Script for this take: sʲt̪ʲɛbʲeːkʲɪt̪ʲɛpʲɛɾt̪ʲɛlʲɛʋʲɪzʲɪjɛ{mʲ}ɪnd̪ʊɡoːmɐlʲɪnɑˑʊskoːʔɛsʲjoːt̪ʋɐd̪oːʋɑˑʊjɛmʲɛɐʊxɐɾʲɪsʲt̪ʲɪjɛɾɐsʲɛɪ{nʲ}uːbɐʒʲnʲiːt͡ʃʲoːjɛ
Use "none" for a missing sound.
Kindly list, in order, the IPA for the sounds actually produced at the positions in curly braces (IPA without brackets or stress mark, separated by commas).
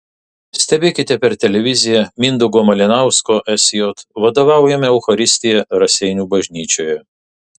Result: mʲ, nʲ